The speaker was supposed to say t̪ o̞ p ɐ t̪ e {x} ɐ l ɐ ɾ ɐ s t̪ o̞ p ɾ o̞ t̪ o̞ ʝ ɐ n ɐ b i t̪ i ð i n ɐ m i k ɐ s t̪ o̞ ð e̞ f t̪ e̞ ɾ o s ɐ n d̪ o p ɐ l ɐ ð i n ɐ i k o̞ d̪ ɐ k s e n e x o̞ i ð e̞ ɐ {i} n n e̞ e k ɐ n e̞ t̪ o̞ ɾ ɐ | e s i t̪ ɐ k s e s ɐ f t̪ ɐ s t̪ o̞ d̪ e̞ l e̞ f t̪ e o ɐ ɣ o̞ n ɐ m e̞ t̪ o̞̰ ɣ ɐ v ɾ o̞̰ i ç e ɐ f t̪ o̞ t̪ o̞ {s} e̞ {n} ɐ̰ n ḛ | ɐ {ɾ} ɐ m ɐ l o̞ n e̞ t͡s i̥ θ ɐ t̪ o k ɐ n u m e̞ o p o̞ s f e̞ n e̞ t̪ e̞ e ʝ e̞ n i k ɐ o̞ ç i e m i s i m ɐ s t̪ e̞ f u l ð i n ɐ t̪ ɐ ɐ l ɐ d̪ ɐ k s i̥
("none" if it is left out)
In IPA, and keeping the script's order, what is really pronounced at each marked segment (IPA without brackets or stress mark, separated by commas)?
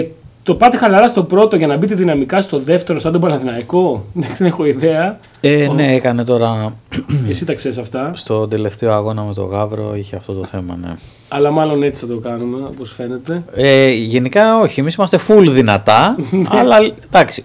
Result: x, e, θ, m, l